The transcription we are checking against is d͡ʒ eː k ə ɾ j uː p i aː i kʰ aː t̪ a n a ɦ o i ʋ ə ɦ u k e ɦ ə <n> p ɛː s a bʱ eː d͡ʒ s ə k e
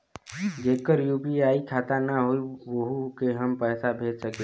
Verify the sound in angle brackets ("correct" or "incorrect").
incorrect